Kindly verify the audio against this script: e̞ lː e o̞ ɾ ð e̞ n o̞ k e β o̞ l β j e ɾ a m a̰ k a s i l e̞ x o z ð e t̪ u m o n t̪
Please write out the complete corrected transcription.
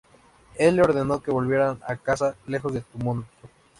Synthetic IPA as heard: e̞ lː e o̞ ɾ ð e̞ n o̞ k e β o̞ l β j e ɾ a n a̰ k a s a l e̞ x o z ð e t̪ u m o n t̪